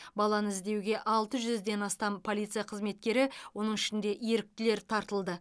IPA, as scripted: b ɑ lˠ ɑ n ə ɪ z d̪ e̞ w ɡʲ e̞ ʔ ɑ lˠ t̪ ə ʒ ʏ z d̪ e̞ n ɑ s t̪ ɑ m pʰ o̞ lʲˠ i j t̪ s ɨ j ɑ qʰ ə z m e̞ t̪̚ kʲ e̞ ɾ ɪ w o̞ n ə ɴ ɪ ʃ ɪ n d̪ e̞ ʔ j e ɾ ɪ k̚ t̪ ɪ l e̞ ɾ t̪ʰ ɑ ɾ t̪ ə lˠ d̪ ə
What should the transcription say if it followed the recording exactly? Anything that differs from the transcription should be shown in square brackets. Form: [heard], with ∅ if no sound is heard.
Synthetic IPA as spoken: b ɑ lˠ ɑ n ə ɪ z d̪ e̞ w ɡʲ e̞ ʔ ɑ lˠ t̪ ə ʒ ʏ z d̪ e̞ n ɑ s t̪ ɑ m pʰ o̞ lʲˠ i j t̪ s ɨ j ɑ qʰ ə z m e̞ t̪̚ kʲ e̞ ɾ ɪ w o̞ n ə ɴ ɪ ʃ ɪ n d̪ e̞ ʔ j e ɾ ɪ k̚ t̪ ɪ l e̞ ɾ t̪ʰ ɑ ɾ t̪ ə lˠ d̪ ə

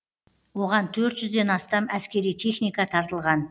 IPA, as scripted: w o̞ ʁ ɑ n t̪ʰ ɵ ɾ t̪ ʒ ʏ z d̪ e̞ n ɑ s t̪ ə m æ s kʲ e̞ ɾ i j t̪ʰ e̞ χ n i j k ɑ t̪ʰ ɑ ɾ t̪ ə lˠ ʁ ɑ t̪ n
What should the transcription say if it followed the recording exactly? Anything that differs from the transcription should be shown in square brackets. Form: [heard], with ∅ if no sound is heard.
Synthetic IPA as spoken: w o̞ ʁ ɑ n t̪ʰ ɵ ɾ t̪ ʒ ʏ z d̪ e̞ n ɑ s t̪ [ɑ] m æ s kʲ e̞ ɾ i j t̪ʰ e̞ χ n i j k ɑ t̪ʰ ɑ ɾ t̪ ə lˠ ʁ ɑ [∅] n

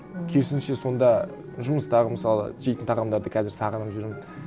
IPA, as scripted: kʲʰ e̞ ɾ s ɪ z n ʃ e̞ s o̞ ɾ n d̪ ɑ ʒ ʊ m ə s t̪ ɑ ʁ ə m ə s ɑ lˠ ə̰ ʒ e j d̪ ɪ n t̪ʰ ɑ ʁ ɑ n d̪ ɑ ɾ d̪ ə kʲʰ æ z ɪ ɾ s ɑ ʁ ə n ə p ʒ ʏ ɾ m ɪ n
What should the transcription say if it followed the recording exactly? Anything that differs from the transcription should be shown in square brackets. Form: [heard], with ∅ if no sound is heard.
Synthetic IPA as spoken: kʲʰ e̞ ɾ s ɪ [∅] n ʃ e̞ s o̞ [∅] n d̪ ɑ ʒ ʊ m ə s t̪ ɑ ʁ ə m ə s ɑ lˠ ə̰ ʒ e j [t̪] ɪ n t̪ʰ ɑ ʁ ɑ [m] d̪ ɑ ɾ d̪ ə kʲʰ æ z ɪ ɾ s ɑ ʁ ə n ə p ʒ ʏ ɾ m ɪ n

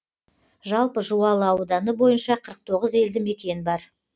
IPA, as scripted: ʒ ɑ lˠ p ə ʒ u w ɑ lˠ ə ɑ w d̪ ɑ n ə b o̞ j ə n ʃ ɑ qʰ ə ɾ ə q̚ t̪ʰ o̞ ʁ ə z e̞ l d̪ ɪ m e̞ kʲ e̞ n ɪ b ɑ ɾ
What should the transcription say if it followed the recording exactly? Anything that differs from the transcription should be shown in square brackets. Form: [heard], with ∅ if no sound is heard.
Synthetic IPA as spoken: ʒ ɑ lˠ p ə ʒ u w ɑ lˠ ə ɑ w d̪ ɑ n ə b o̞ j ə n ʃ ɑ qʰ ə ɾ ə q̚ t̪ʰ o̞ ʁ ə z e̞ l d̪ ɪ m e̞ kʲ e̞ n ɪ b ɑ ɾ

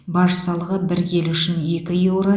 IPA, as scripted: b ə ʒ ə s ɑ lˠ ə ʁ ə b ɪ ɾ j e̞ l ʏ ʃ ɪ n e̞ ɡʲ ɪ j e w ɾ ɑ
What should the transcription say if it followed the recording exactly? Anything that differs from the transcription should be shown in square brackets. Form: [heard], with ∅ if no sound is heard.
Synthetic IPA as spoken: b [ɑ] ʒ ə s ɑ lˠ ə ʁ ə b ɪ ɾ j e̞ l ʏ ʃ ɪ n e̞ [kʲ] ɪ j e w ɾ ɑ

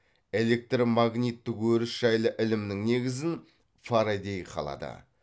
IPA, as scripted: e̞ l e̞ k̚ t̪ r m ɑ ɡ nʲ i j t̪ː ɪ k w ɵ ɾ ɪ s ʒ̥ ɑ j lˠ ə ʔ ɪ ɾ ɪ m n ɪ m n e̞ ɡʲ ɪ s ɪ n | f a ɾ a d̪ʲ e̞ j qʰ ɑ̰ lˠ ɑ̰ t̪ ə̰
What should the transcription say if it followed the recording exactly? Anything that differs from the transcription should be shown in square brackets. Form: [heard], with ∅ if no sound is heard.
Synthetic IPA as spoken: e̞ l e̞ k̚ t̪ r m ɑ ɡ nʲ i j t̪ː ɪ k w ɵ ɾ ɪ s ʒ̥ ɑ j lˠ ə ʔ ɪ [l] ɪ m n ɪ [ŋ] n e̞ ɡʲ ɪ [z] ɪ n | f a ɾ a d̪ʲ e̞ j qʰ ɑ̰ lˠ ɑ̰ [d̪] ə̰

